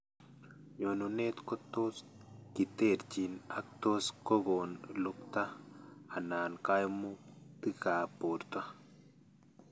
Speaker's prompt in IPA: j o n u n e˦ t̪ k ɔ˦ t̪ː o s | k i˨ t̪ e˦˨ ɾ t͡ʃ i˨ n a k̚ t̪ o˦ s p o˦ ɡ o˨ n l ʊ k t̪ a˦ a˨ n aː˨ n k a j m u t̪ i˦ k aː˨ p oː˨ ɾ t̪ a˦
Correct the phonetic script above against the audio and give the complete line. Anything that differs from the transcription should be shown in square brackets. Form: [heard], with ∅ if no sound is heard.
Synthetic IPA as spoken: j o n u n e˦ t̪ k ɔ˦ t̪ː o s | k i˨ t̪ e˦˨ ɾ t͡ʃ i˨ n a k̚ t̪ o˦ s [k] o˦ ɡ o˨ n l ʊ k t̪ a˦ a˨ n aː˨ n k a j m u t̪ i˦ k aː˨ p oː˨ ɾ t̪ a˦